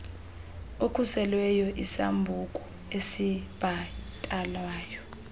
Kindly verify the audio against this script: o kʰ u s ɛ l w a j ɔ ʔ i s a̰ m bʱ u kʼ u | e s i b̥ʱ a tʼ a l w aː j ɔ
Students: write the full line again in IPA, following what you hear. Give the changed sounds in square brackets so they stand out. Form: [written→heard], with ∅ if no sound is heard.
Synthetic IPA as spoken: o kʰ u s ɛ l w [a→ɛ] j ɔ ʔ i s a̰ m bʱ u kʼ u | e s i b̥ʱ a tʼ a l w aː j ɔ